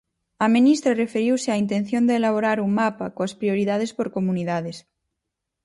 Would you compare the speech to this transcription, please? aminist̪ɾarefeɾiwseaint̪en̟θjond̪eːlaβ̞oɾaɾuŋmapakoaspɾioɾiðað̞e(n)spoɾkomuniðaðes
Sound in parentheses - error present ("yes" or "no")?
yes